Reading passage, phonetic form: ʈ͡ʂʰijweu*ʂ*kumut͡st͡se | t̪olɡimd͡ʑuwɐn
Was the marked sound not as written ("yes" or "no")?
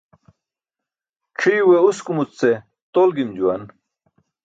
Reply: yes